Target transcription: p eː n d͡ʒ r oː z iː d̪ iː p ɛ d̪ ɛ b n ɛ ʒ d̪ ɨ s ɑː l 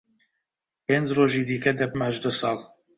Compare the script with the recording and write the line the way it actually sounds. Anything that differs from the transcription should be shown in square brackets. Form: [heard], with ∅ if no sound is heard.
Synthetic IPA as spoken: p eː n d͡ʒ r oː [ʒ] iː d̪ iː [k] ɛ d̪ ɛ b [m] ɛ ʒ d̪ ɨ s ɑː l